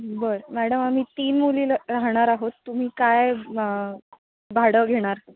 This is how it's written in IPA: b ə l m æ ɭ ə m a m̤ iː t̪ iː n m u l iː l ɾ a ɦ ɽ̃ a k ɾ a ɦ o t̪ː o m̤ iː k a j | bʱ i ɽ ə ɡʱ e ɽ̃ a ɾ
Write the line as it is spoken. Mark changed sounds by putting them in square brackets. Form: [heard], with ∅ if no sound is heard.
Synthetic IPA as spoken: b ə [ɾ] m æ [ɽ] ə m a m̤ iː t̪ iː n m u l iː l ɾ a ɦ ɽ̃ a [∅] ɾ a ɦ o t̪ː [u] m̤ iː k a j | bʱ [a] ɽ ə ɡʱ e ɽ̃ a ɾ